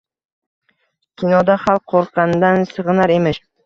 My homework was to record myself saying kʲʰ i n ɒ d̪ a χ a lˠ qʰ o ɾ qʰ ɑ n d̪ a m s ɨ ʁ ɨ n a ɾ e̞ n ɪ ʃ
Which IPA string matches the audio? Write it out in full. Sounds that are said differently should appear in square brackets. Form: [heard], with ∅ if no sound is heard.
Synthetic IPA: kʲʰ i n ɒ d̪ a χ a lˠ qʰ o ɾ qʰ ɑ n d̪ a [n] s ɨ ʁ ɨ n a ɾ e̞ [m] ɪ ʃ